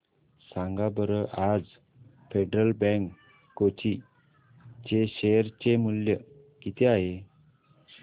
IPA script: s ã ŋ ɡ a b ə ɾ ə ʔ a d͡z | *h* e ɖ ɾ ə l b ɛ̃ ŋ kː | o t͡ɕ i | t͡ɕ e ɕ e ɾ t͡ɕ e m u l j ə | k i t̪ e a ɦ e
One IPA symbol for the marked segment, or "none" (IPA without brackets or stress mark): f